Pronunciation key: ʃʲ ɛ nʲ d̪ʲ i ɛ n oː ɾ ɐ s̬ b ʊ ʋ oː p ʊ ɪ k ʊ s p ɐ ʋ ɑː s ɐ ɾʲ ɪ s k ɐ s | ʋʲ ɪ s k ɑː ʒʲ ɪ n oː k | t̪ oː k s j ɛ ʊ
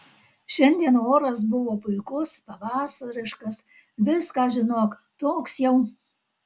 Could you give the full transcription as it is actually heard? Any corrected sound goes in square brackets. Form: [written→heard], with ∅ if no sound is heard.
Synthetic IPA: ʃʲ ɛ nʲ d̪ʲ i ɛ n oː ɾ ɐ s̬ b ʊ ʋ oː p ʊ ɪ k ʊ s p ɐ ʋ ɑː s ɐ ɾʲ ɪ [s→ʃ] k ɐ s | ʋʲ ɪ s k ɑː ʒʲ ɪ n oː k | t̪ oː k s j ɛ ʊ